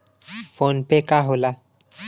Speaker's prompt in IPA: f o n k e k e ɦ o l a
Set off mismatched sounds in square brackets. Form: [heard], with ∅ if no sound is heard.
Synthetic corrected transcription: f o n [p] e k [a] ɦ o l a